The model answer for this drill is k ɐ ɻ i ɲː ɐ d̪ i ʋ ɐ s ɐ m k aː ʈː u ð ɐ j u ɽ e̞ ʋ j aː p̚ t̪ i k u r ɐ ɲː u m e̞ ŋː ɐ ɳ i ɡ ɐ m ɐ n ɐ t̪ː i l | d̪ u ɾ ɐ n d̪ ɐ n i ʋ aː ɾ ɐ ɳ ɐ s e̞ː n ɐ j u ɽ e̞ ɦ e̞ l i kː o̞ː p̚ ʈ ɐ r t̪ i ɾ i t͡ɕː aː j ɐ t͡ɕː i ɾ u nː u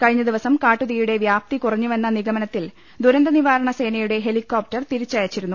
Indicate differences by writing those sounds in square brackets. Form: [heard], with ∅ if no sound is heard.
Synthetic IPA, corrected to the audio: k ɐ ɻ i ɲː ɐ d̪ i ʋ ɐ s ɐ m k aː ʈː u ð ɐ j u ɽ e̞ ʋ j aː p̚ t̪ i k u r ɐ ɲː u m e̞ [nː] ɐ [n] i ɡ ɐ m ɐ n ɐ t̪ː i l | d̪ u ɾ ɐ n d̪ ɐ n i ʋ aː ɾ ɐ ɳ ɐ s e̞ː n ɐ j u ɽ e̞ ɦ e̞ l i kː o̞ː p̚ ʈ ɐ r t̪ i ɾ i t͡ɕː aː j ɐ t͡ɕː i ɾ u nː u

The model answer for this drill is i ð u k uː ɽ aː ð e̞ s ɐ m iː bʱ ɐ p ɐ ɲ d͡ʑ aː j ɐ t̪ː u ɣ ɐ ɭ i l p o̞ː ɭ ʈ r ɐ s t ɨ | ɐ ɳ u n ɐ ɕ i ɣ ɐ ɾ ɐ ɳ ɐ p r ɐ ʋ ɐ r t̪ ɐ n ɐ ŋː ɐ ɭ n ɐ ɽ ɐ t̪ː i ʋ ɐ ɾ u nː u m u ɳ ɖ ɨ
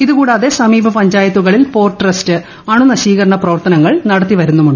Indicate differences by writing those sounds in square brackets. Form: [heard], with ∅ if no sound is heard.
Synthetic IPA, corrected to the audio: i ð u k uː ɽ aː ð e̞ s ɐ m iː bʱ ɐ p ɐ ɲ d͡ʑ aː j ɐ t̪ː u ɣ ɐ ɭ i l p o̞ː [r] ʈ r ɐ s t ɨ | ɐ ɳ u n ɐ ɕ [iː] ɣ ɐ ɾ ɐ ɳ ɐ p r ɐ ʋ ɐ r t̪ ɐ n ɐ ŋː ɐ ɭ n ɐ ɽ ɐ t̪ː i ʋ ɐ ɾ u nː u m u ɳ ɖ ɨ

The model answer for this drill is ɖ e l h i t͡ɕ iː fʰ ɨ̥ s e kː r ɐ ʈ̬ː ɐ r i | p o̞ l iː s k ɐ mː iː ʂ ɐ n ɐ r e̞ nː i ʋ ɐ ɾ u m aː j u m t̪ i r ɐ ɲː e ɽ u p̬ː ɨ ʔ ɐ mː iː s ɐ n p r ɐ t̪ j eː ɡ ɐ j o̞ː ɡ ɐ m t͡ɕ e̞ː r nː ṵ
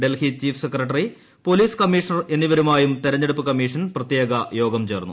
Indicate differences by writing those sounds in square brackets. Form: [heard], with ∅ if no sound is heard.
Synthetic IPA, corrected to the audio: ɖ e l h i t͡ɕ iː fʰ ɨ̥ s e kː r ɐ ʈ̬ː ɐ r i | p o̞ l iː s k ɐ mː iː ʂ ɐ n ɐ r e̞ nː i ʋ ɐ ɾ u m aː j u m t̪ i [ɾ] ɐ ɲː e ɽ u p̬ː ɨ [k] ɐ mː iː [ʂ] ɐ n p r ɐ t̪ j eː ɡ ɐ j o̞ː ɡ ɐ m t͡ɕ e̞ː r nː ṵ

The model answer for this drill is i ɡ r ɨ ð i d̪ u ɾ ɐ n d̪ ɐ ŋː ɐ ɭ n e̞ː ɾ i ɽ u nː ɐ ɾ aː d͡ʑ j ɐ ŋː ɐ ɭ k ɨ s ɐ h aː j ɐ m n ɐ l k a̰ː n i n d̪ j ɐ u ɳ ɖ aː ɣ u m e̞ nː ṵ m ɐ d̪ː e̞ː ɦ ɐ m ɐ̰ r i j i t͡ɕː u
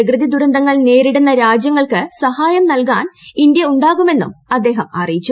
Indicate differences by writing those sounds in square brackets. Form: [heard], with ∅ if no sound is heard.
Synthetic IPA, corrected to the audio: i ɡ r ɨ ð i d̪ u ɾ ɐ n d̪ ɐ ŋː ɐ ɭ n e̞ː ɾ i ɽ u nː ɐ ɾ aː d͡ʑ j ɐ ŋː ɐ ɭ k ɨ s ɐ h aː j ɐ m n ɐ l k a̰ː n i n d̪ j ɐ u ɳ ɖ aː ɣ u m e̞ nː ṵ m ɐ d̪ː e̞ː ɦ ɐ m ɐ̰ r i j i t͡ɕː u

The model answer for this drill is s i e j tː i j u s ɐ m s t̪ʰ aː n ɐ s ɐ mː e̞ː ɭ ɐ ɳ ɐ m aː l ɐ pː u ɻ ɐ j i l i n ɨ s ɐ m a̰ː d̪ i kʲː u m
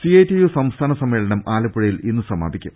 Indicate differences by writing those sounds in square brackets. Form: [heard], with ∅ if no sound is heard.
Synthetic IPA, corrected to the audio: s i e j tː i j u s ɐ m s t̪ʰ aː n ɐ s ɐ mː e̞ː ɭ ɐ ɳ ɐ m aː l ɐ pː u ɻ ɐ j i l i [nː] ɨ s ɐ m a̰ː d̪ i kʲː u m

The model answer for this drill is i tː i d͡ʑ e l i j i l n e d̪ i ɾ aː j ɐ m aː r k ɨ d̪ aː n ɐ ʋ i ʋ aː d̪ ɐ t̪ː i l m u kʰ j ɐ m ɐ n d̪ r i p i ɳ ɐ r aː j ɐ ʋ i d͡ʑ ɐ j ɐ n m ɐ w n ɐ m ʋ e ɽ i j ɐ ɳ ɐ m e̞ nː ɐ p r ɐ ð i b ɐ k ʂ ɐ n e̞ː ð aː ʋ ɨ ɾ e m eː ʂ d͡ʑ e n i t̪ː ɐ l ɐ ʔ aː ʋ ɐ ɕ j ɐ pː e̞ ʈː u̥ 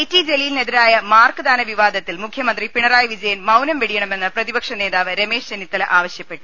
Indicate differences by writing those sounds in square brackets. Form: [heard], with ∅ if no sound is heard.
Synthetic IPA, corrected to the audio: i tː i d͡ʑ e l i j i l n e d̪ i ɾ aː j ɐ m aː r k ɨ d̪ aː n ɐ ʋ i ʋ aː d̪ ɐ t̪ː i l m u kʰ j ɐ m ɐ n d̪ r i p i ɳ ɐ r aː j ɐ ʋ i d͡ʑ ɐ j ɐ n m ɐ w n ɐ m ʋ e ɽ i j ɐ ɳ ɐ m e̞ nː ɐ p r ɐ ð i b ɐ k ʂ ɐ n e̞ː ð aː ʋ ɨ ɾ e m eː ʂ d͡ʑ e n i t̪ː ɐ l ɐ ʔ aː ʋ ɐ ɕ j ɐ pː e̞ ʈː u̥

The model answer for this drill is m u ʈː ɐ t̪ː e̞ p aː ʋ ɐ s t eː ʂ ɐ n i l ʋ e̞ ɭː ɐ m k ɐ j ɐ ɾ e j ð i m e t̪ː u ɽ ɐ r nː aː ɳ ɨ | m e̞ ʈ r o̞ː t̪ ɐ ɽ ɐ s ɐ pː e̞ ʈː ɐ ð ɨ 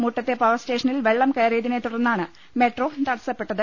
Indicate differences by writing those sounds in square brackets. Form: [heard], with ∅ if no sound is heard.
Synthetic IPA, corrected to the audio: m u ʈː ɐ t̪ː e̞ p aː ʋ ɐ s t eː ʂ ɐ n i l ʋ e̞ ɭː ɐ m k ɐ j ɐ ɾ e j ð i [n] e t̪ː u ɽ ɐ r nː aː ɳ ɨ | m e̞ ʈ r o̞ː t̪ ɐ ɽ ɐ s ɐ pː e̞ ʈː ɐ ð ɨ

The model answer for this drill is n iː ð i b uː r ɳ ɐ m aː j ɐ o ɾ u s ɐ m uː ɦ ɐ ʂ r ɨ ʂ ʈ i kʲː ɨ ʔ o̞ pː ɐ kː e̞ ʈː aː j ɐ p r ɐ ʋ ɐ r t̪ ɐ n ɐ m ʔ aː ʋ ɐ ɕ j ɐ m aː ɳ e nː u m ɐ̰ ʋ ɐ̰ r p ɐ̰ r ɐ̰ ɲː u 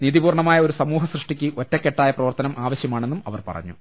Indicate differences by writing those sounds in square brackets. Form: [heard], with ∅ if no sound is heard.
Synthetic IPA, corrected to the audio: n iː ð i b uː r ɳ ɐ m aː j ɐ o ɾ u s ɐ m uː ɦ ɐ [s] r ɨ ʂ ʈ i kʲː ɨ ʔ o̞ [tː] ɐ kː e̞ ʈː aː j ɐ p r ɐ ʋ ɐ r t̪ ɐ n ɐ m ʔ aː ʋ ɐ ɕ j ɐ m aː ɳ e nː u m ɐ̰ ʋ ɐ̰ r p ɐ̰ r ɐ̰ ɲː u

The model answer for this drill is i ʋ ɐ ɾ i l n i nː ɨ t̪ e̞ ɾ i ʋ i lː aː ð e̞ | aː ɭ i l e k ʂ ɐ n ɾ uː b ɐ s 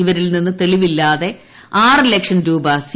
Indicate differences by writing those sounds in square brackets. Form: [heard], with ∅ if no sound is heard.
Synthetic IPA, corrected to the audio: i ʋ ɐ ɾ i l n i nː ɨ t̪ e̞ [ɭ] i ʋ i lː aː ð e̞ | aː [r] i l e k ʂ ɐ n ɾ uː b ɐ s

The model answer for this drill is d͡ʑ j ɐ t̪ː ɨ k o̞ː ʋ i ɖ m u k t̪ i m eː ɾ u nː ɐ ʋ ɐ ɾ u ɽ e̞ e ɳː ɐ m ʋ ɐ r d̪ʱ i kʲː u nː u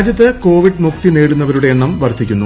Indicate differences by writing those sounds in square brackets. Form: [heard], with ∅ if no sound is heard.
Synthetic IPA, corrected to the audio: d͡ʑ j ɐ t̪ː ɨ k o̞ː ʋ i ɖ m u k t̪ i [n] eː [ɽ] u nː ɐ ʋ ɐ ɾ u ɽ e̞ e ɳː ɐ m ʋ ɐ r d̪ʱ i kʲː u nː u

